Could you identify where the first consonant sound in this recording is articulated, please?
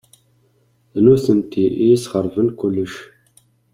alveolar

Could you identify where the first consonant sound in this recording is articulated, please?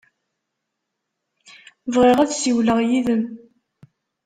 labial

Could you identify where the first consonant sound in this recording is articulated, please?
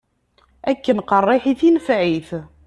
velar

